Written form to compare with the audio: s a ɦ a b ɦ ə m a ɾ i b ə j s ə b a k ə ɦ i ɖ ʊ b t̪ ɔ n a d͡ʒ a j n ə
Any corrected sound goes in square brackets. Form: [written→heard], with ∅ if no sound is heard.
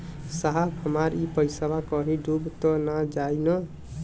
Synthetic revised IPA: s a ɦ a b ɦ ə m a ɾ i [b→p] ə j s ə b a k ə ɦ i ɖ [ʊ→u] b t̪ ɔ n a d͡ʒ a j n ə